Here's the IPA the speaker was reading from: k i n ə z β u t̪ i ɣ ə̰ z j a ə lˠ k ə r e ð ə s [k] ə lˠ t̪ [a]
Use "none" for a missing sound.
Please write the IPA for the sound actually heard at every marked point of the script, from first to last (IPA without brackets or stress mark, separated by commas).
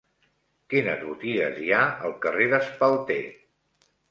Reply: p, e